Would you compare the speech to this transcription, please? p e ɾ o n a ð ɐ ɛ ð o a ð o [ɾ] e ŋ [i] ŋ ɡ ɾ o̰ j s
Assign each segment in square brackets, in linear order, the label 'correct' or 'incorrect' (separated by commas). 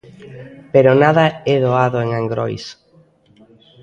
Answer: incorrect, incorrect